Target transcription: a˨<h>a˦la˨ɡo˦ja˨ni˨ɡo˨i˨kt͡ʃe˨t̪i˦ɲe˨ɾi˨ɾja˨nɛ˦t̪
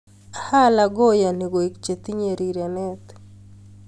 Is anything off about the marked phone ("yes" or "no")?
no